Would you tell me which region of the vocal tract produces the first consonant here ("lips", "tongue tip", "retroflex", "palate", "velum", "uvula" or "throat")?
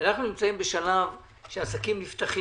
tongue tip